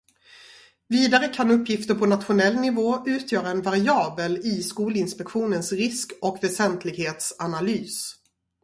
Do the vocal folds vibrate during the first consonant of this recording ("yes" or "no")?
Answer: yes